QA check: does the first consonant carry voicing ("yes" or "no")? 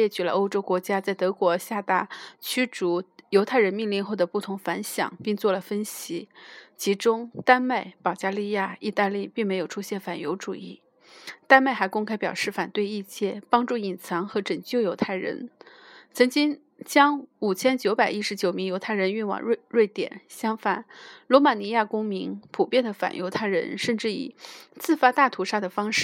no